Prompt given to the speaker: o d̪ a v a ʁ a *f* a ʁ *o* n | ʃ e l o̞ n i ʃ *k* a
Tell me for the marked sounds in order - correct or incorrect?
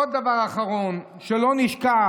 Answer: incorrect: χ, correct, correct

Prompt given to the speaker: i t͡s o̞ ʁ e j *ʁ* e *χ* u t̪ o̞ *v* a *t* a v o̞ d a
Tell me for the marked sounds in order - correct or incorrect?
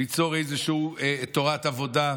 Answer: incorrect: z, incorrect: ʃ, incorrect: ʁ, correct

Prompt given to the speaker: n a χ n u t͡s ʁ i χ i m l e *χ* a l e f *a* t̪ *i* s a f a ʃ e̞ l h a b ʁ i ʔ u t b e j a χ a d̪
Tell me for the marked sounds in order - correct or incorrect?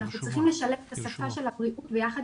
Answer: incorrect: ʃ, incorrect: e, incorrect: a

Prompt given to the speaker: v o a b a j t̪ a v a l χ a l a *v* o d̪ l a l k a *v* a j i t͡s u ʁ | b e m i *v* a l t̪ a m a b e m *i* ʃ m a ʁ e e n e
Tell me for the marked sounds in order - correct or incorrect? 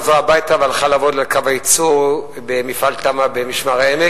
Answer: correct, correct, incorrect: f, correct

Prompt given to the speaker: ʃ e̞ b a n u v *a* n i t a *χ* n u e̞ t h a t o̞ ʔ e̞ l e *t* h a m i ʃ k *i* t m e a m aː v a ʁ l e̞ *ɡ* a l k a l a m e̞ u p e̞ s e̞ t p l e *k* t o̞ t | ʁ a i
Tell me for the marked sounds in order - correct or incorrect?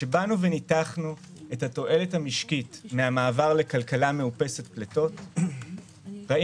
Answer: incorrect: e, correct, correct, correct, incorrect: k, incorrect: none

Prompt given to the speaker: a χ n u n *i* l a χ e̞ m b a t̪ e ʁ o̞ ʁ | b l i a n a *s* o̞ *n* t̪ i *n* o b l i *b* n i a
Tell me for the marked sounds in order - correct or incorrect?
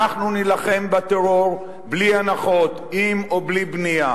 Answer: correct, incorrect: χ, incorrect: none, incorrect: m, correct

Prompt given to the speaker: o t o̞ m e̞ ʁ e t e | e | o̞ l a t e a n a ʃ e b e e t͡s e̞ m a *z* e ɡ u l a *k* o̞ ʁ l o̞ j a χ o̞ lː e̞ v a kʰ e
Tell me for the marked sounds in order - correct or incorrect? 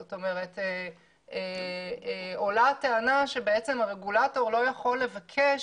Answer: incorrect: ʁ, incorrect: t

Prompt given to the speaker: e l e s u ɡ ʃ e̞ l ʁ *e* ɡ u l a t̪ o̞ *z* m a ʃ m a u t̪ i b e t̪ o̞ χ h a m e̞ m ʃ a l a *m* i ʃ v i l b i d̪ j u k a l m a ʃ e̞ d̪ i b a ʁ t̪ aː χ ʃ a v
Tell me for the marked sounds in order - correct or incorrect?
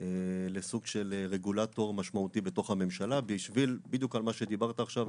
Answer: correct, incorrect: ʁ, incorrect: b

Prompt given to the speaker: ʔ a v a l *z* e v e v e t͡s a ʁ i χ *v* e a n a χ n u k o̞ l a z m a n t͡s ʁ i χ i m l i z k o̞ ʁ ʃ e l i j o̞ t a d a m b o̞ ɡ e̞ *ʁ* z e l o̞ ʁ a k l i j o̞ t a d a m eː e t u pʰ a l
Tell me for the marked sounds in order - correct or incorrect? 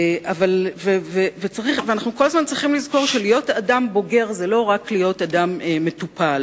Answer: incorrect: v, correct, correct

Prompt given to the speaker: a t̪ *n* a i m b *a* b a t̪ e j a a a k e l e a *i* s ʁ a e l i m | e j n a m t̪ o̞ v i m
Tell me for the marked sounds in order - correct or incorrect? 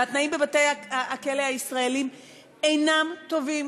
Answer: correct, incorrect: e, correct

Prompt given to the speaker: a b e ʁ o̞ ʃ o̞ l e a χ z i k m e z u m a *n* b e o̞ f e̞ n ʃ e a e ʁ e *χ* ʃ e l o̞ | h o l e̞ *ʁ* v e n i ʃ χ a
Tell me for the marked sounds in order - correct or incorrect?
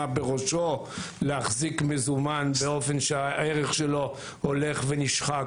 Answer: correct, correct, incorrect: χ

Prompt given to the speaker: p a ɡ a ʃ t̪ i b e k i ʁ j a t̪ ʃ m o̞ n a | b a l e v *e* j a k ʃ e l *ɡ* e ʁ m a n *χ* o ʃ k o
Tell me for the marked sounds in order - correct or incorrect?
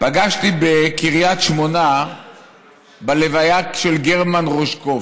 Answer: incorrect: a, correct, incorrect: ʁ

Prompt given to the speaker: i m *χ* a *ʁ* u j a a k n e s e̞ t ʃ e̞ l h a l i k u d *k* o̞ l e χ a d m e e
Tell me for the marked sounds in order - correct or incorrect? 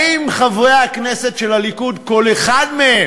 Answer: correct, incorrect: v, correct

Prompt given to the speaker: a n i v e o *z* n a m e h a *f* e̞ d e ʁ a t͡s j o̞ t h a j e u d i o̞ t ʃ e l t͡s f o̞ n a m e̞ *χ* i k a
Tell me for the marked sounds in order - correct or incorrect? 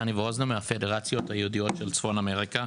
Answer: correct, correct, incorrect: ʁ

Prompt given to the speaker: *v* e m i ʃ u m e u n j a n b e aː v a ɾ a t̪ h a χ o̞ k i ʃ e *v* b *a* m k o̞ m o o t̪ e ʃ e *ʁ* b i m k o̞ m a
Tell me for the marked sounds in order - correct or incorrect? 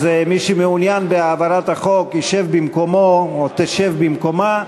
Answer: incorrect: z, correct, incorrect: i, incorrect: v

